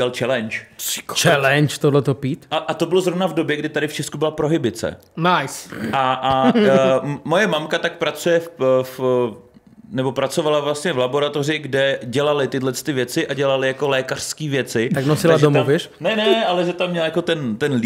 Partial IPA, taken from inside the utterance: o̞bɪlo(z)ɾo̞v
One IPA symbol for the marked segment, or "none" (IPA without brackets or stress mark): z